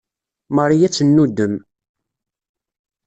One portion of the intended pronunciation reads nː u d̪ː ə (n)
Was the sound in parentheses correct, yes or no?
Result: no